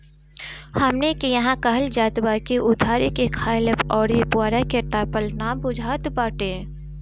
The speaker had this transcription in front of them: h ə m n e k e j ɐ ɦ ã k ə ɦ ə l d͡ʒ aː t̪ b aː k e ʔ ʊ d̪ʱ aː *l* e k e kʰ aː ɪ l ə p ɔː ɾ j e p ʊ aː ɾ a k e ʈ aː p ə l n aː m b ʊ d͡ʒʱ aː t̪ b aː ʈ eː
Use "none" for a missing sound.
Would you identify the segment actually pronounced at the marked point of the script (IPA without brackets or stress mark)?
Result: ɾ